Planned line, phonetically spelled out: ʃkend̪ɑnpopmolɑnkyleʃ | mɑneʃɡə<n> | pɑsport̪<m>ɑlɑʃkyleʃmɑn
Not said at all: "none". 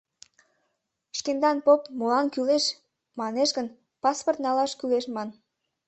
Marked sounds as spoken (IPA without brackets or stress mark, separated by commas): n, n